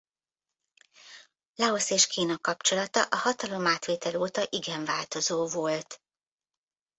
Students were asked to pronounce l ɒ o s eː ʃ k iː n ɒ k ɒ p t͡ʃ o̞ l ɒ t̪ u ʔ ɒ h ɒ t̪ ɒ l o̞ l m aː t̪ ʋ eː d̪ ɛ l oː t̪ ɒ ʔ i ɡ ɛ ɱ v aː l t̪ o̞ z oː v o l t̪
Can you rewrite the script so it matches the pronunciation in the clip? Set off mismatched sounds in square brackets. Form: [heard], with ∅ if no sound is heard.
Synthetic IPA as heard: l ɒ o s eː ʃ k iː n ɒ k ɒ p t͡ʃ o̞ l ɒ t̪ [ɒ] ʔ ɒ h ɒ t̪ ɒ l o̞ [∅] m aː t̪ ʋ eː [t̪] ɛ l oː t̪ ɒ ʔ i ɡ ɛ ɱ v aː l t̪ o̞ z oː v o l t̪